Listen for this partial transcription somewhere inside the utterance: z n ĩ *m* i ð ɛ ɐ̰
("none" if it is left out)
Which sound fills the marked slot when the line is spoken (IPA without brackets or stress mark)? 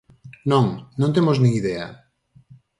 ŋ